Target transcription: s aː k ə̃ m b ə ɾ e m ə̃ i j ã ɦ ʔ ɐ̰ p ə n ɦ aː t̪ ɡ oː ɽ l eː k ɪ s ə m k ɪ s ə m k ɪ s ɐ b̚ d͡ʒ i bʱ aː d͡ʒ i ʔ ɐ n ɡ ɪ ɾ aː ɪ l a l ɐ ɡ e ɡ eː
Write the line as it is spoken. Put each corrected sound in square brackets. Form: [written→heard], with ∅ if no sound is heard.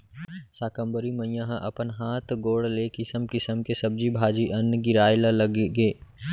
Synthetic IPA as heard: s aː k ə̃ m b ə ɾ [e→i] m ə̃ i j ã ɦ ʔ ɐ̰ p ə n ɦ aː t̪ ɡ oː ɽ l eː k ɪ s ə m k ɪ s ə m k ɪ s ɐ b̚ d͡ʒ i bʱ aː d͡ʒ i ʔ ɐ n ɡ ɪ ɾ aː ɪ l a l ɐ ɡ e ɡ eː

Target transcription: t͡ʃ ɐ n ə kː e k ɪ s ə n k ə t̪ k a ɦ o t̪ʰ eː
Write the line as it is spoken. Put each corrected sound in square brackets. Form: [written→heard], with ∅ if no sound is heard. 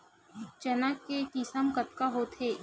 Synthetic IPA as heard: t͡ʃ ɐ n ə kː e k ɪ s ə [n→m] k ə t̪ k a ɦ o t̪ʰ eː

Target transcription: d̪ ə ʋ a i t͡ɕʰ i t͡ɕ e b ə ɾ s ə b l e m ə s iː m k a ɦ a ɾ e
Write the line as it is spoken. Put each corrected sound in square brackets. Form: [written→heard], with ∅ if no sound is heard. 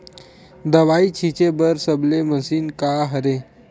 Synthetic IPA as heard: d̪ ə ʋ a i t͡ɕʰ i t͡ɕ e b ə ɾ s ə b l e m ə s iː [m→n] k a ɦ [a→ə] ɾ e

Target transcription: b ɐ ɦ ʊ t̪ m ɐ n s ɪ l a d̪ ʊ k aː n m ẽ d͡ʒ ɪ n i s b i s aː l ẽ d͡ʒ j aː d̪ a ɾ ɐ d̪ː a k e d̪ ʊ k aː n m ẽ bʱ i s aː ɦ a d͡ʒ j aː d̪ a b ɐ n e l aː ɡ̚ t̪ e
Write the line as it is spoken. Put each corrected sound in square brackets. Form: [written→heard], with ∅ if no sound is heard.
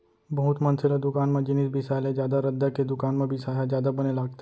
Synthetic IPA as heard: b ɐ ɦ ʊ t̪ m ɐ n s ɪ l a d̪ ʊ k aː n m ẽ d͡ʒ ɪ n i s b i s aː l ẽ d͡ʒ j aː d̪ a ɾ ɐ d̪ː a k e d̪ ʊ k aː n m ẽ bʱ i s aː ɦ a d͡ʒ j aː d̪ a b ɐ n e l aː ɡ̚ t̪ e

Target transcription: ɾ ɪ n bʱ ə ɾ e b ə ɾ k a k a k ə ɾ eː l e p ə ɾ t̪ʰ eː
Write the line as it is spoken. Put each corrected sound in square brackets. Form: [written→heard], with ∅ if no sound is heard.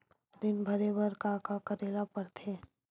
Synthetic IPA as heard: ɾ ɪ n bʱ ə ɾ e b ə ɾ k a k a k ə ɾ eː l [e→a] p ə ɾ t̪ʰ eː

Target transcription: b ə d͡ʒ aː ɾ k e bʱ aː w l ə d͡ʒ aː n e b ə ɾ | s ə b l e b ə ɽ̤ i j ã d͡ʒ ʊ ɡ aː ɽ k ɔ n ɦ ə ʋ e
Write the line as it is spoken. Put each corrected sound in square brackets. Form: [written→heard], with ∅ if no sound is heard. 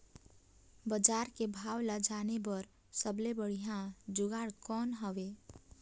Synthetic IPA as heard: b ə d͡ʒ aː ɾ k e bʱ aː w l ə d͡ʒ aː n e b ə ɾ | s ə b l e b ə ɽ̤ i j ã d͡ʒ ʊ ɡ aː ɽ k ɔ n ɦ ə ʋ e

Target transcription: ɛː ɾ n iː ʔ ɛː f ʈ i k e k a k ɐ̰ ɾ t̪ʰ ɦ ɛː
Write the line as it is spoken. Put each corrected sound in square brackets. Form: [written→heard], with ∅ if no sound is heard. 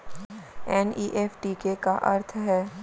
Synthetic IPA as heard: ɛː [ɾ→∅] n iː ʔ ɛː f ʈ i k e k a [k→ʔ] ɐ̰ ɾ t̪ʰ ɦ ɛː

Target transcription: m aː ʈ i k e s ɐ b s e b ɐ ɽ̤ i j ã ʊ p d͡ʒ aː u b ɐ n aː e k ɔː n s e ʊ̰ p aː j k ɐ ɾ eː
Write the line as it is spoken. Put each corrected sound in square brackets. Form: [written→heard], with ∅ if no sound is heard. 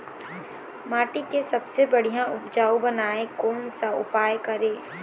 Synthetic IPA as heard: m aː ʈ i k e s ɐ b s e b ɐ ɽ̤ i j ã ʊ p d͡ʒ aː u b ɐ n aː e k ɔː n s [e→a] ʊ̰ p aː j k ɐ ɾ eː

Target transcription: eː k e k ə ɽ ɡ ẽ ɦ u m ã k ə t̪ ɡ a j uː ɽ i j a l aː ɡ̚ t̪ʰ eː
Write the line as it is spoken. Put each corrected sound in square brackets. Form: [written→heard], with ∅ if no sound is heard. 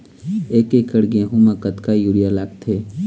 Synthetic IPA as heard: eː k e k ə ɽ ɡ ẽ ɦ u m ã k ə t̪ [ɡ→k] a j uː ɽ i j a l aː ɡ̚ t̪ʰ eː

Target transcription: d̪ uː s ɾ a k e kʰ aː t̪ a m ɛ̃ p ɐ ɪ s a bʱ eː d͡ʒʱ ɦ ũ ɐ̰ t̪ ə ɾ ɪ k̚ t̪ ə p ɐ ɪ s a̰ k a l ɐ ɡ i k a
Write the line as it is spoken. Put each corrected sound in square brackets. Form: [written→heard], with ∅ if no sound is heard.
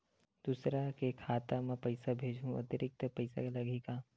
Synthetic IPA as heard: d̪ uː s ɾ a k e kʰ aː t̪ a m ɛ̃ p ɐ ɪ s a bʱ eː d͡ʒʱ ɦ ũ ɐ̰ t̪ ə ɾ ɪ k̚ t̪ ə p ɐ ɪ s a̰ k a l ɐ ɡ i k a

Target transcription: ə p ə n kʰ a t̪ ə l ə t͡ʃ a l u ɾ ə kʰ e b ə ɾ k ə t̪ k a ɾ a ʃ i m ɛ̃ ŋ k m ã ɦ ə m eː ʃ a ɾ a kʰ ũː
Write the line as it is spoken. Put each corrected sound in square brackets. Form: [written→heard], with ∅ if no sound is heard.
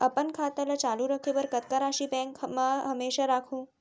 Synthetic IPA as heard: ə p ə n kʰ a t̪ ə l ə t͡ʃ a l u ɾ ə kʰ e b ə ɾ k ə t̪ k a ɾ a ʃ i [m→b] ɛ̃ ŋ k m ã ɦ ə m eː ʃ a ɾ a kʰ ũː

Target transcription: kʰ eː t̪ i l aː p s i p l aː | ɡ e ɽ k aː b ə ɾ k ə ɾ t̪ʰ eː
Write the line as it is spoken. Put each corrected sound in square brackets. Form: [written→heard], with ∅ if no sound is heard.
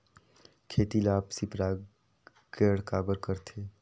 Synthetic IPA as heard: kʰ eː t̪ i l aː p s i p [l→ɾ] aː | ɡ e ɽ k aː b ə ɾ k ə ɾ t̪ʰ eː

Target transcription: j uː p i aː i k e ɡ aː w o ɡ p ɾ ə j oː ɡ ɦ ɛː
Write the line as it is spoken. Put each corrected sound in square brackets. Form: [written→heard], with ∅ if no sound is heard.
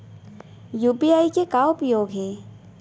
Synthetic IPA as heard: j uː p i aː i k e [ɡ→k] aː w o [ɡ→∅] p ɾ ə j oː ɡ ɦ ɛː

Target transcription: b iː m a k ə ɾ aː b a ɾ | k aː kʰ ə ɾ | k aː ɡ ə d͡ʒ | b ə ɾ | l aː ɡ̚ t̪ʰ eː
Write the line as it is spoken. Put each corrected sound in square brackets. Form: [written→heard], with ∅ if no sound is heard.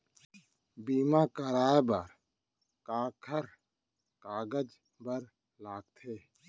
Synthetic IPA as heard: b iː m a k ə ɾ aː b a ɾ | k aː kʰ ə ɾ | k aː ɡ ə d͡ʒ | b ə ɾ | l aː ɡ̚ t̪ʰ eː

